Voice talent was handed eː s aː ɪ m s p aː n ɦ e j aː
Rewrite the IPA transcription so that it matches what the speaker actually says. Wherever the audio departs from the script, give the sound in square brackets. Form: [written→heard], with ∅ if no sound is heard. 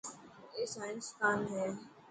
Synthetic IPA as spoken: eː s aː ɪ [m→n] s [p→k] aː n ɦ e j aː